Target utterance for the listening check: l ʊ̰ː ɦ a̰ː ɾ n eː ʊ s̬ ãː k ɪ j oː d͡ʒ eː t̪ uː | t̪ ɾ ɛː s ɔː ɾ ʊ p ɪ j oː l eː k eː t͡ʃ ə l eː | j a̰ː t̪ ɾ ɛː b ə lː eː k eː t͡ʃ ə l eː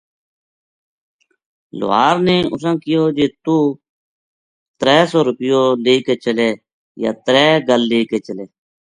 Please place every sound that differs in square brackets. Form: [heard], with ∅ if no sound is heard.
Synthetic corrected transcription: l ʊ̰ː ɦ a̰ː ɾ n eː ʊ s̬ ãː k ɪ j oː d͡ʒ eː t̪ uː | t̪ ɾ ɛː s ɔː ɾ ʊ p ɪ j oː l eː k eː t͡ʃ ə l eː | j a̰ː t̪ ɾ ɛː [ɡ] ə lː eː k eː t͡ʃ ə l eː